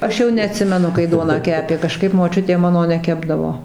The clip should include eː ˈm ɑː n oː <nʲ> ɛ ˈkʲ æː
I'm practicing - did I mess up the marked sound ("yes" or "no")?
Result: no